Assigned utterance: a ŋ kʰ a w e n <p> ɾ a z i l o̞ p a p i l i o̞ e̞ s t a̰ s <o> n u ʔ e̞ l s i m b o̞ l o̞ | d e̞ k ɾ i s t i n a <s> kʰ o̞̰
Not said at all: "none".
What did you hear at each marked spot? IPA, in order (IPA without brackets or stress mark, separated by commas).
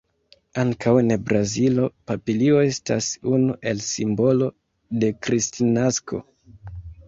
b, u, s